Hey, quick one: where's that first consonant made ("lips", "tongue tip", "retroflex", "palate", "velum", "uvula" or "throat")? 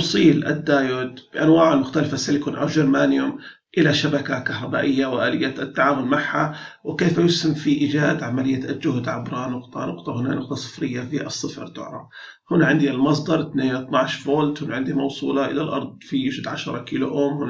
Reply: tongue tip